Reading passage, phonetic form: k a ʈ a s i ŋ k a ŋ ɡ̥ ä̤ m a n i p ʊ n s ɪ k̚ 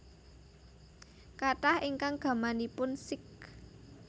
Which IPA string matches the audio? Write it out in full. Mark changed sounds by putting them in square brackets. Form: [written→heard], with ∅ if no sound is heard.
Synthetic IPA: k a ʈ a [s→h] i ŋ k a ŋ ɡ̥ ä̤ m a n i p ʊ n s ɪ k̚